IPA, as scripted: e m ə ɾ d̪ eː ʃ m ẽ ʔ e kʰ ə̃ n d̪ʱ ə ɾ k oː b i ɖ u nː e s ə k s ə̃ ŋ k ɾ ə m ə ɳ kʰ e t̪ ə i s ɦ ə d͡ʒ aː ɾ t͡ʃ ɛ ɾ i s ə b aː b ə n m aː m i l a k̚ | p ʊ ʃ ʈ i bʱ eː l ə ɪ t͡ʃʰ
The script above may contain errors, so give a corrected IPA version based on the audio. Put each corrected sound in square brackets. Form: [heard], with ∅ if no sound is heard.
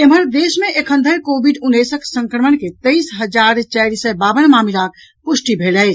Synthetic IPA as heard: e m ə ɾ d̪ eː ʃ m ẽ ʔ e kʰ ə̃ n d̪ʱ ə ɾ k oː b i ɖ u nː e s ə k s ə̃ ŋ k ɾ ə m ə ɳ [k] e t̪ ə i s ɦ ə d͡ʒ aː ɾ t͡ʃ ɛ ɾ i s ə b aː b ə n m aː m i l a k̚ | p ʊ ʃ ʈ i bʱ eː l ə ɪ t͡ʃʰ